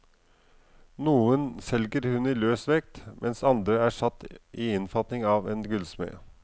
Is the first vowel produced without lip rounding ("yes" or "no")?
no